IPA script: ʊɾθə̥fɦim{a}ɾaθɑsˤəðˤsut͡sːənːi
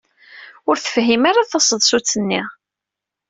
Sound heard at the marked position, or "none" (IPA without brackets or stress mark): a